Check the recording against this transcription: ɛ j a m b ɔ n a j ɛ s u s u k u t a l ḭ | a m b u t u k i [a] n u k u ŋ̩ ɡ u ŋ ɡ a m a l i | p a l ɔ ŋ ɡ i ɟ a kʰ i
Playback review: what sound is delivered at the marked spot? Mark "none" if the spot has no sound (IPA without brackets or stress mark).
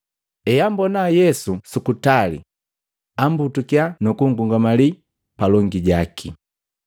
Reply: a